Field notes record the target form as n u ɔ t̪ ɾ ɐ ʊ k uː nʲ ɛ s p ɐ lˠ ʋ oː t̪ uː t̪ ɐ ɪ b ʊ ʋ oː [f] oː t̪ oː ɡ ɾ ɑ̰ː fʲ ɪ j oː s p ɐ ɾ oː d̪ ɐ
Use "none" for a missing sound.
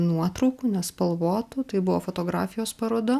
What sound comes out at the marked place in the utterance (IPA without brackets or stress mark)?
f